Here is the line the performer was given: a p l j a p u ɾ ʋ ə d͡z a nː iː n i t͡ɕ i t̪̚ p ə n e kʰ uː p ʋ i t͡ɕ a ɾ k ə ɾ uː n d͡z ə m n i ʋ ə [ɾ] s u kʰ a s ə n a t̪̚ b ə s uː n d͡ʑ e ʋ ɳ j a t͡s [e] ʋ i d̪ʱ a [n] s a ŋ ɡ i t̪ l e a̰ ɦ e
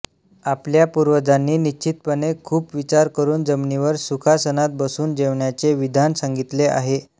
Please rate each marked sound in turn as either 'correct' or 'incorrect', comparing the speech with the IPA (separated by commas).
correct, correct, correct